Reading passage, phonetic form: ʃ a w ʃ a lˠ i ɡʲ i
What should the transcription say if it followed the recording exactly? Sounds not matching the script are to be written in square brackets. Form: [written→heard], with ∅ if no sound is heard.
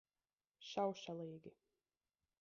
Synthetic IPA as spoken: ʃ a w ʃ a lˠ [i→iː] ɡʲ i

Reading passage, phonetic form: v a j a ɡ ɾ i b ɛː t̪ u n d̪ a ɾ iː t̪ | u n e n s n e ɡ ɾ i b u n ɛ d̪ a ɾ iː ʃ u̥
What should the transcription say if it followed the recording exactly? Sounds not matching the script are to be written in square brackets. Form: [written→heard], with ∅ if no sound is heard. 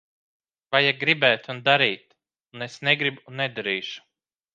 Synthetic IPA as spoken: v a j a ɡ ɾ i b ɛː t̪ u n d̪ a ɾ iː t̪ | u n e [n→∅] s n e ɡ ɾ i b u n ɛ d̪ a ɾ iː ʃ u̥

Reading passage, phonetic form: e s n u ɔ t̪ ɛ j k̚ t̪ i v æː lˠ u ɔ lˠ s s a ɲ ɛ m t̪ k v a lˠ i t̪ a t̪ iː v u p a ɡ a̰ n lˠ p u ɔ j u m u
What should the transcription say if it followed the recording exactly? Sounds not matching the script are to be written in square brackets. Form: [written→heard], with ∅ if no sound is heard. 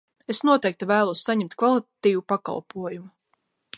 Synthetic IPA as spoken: e s n u ɔ t̪ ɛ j k̚ t̪ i v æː lˠ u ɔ [lˠ→∅] s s a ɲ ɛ m t̪ k v a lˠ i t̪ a t̪ iː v u p a [ɡ→k] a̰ [n→∅] lˠ p u ɔ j u m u

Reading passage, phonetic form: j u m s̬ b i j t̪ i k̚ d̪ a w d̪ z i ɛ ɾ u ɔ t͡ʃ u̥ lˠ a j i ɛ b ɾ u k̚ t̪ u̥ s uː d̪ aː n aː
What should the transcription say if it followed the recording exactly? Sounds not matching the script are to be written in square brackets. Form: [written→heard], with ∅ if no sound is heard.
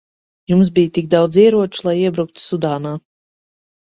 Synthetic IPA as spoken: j u m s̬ b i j t̪ i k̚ d̪ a w d̪ z i ɛ ɾ u ɔ t͡ʃ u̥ lˠ a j i ɛ b ɾ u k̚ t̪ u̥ s [uː→u] d̪ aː n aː

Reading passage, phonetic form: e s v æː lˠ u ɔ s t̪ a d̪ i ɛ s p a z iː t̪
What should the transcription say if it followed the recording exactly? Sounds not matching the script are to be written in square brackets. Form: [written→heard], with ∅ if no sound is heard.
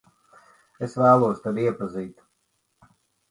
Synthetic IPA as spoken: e s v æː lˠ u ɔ s t̪ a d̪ i ɛ [s→∅] p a z iː t̪

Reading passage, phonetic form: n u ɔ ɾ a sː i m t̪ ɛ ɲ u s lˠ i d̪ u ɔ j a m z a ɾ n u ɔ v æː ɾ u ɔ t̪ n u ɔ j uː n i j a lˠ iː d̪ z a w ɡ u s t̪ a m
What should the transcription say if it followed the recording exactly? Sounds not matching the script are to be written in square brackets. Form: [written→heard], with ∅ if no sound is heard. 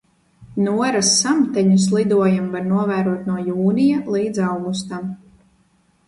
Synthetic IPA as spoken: n u ɔ ɾ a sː [i→a] m t̪ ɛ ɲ u s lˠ i d̪ u ɔ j a m [z→v] a ɾ n u ɔ v æː ɾ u ɔ t̪ n u ɔ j uː n i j a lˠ iː d̪ z a w ɡ u s t̪ a m

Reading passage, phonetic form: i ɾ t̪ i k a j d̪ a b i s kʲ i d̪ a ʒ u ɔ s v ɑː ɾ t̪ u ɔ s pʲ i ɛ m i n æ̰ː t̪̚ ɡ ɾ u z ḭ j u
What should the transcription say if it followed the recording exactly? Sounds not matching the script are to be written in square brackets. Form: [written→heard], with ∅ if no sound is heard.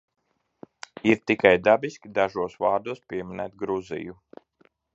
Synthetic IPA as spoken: i ɾ t̪ i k a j d̪ a b i s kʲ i d̪ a ʒ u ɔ s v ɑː ɾ [t̪→d̪] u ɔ s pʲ i ɛ m i n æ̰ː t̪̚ ɡ ɾ u z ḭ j u

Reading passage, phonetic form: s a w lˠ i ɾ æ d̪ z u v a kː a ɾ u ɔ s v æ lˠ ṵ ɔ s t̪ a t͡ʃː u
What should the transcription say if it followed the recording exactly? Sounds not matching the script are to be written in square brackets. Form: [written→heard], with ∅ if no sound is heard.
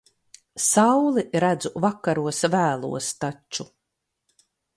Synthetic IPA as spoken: s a w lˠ i ɾ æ d̪ z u v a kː a ɾ u ɔ s v [æ→æː] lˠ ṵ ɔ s t̪ a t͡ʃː u

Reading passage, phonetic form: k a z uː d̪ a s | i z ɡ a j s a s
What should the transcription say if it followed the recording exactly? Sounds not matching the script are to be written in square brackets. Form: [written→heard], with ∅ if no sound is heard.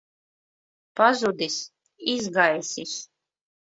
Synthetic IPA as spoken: [k→p] a z [uː→u] d̪ [a→i] s | i z ɡ a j s [a→i] s

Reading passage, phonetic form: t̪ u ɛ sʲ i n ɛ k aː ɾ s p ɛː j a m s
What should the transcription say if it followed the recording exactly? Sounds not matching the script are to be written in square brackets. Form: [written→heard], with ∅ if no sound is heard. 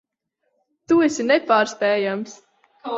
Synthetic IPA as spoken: t̪ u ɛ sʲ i n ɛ [k→p] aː ɾ s p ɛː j a m s

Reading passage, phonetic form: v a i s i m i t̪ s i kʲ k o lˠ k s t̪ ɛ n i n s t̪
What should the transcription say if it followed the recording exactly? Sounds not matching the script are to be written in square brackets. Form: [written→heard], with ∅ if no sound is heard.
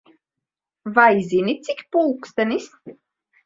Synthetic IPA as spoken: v a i [s→z] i [m→n] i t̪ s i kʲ [k→p] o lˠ k s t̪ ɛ n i [n→∅] s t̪

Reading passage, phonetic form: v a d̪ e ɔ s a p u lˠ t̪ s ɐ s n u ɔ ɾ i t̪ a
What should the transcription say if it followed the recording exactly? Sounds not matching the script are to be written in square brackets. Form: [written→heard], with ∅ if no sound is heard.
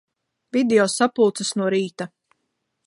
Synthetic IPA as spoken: v [a→i] d̪ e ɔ s a p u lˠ t̪ s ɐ s n u ɔ ɾ [i→iː] t̪ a

